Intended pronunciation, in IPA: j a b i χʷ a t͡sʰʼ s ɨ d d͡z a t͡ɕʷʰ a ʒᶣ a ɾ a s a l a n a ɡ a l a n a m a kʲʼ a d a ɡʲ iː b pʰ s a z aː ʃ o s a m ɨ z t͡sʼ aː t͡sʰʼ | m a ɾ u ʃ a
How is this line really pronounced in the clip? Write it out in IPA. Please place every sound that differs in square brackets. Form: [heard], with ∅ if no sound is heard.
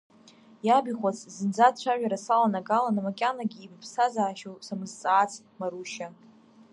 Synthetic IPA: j a b i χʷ a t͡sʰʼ [z] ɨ [n] d͡z a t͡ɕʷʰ a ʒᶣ a ɾ a s a l a n a ɡ a l a n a m a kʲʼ a [n] a ɡʲ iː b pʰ s a z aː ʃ o s a m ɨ z t͡sʼ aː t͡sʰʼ | m a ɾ u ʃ a